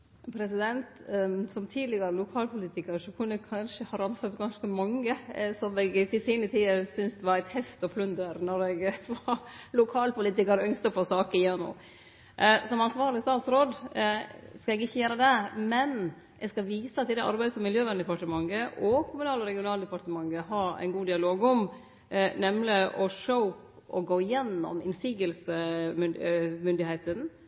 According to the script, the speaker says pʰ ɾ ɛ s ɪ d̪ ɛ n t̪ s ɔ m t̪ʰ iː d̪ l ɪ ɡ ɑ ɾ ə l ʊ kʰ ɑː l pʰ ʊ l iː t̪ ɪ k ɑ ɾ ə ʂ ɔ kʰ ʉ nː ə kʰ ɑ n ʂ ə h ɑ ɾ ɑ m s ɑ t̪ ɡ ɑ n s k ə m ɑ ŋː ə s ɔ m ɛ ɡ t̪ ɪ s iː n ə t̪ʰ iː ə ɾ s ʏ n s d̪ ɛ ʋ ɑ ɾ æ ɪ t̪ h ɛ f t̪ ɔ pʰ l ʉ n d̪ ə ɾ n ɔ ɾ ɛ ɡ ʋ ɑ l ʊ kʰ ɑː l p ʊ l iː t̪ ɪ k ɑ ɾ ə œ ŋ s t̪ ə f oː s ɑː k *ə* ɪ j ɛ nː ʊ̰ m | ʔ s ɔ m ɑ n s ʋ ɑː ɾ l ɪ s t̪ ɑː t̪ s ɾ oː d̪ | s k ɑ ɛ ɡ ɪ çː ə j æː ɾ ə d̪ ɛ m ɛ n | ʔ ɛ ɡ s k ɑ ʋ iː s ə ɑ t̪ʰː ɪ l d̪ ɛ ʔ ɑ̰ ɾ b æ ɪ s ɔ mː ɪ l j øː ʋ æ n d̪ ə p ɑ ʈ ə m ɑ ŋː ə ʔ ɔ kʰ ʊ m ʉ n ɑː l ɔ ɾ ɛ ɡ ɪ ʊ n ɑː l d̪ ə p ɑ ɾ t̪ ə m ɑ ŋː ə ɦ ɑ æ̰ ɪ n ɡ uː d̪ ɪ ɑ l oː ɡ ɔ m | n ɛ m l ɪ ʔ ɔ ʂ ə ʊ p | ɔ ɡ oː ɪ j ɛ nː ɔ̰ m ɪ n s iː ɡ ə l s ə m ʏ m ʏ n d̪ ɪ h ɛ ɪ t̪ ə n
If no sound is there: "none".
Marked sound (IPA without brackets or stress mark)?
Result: ə